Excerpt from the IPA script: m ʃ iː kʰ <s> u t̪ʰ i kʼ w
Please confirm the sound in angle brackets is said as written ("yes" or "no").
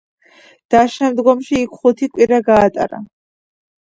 no